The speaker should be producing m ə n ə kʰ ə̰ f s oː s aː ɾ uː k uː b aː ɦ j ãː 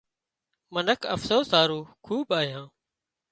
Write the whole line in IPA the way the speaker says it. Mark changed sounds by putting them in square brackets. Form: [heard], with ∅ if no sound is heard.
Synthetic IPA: m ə n ə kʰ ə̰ f s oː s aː ɾ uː [kʰ] uː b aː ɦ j ãː